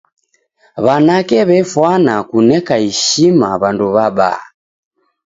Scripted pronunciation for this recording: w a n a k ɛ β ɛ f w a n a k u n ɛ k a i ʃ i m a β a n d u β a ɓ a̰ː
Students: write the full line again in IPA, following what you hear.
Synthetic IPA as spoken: β a n a k ɛ β ɛ f w a n a k u n ɛ k a i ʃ i m a β a n d u β a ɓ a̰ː

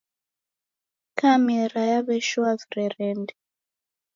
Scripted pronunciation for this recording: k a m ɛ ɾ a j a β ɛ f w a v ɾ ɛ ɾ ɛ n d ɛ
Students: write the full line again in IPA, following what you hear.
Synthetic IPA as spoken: k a m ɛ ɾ a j a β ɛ ʃ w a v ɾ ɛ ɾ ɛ n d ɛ

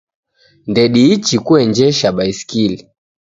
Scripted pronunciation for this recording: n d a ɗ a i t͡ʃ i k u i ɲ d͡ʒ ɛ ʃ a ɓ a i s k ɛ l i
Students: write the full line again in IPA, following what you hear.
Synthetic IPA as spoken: n d ɛ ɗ i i t͡ʃ i k u ɛ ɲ d͡ʒ ɛ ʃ a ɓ a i s k i l i

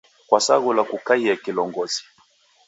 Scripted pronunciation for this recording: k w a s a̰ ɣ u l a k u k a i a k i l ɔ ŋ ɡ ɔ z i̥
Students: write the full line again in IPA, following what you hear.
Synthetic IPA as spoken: k w a s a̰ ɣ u l a k u k a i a k i l ɔ ŋ ɡ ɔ z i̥

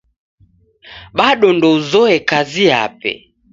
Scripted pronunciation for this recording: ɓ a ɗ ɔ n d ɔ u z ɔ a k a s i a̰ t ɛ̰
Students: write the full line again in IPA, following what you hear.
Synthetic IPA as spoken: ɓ a ɗ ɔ n d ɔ u z ɔ ɛ k a z i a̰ p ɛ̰

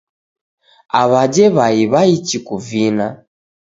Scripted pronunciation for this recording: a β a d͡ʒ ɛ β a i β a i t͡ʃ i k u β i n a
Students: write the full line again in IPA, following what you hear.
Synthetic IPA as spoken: a β a d͡ʒ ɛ β a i β a i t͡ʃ i k u v i n a

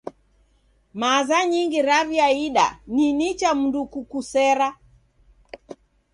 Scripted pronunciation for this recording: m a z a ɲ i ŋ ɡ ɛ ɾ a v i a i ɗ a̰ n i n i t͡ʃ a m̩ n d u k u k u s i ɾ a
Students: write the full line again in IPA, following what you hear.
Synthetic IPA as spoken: m a z a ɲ i ŋ ɡ i ɾ a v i a i ɗ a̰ n i n i t͡ʃ a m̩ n d u k u k u s ɛ ɾ a

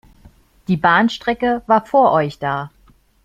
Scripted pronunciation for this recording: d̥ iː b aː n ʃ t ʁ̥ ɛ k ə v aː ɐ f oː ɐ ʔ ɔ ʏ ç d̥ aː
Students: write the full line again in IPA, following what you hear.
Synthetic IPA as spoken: d̥ iː b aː n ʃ t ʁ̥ ɛ k ə v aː ɐ f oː ɐ ʔ ɔ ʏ ç d̥ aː

